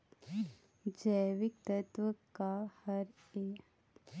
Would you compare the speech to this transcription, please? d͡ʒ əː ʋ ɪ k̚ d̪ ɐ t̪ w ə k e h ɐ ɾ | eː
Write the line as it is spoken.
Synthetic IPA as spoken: d͡ʒ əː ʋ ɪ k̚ t̪ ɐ t̪ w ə k a h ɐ ɾ | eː